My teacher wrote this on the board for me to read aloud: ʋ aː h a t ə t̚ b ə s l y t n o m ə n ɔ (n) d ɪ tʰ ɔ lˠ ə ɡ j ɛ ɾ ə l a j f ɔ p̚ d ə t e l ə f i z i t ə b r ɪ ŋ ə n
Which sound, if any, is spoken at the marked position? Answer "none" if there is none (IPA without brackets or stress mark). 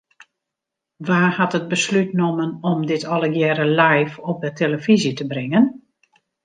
m